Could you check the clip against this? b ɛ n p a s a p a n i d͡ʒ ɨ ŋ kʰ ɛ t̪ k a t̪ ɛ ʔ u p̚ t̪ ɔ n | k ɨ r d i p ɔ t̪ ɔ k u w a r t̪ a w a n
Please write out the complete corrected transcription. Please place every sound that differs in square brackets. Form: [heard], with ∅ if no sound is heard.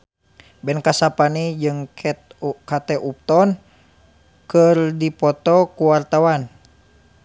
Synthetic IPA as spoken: b ɛ n [k] a s a p a n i d͡ʒ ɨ ŋ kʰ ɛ t̪ k a t̪ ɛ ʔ u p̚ t̪ ɔ n | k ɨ r d i p ɔ t̪ ɔ k u w a r t̪ a w a n